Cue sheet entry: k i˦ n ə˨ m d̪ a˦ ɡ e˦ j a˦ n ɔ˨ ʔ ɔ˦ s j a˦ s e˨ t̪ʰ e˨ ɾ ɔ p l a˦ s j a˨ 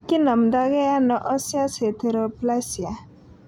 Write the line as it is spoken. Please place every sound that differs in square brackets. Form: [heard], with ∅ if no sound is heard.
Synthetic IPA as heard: k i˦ n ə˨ m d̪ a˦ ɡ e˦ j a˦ n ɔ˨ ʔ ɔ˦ s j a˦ s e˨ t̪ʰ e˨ ɾ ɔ p l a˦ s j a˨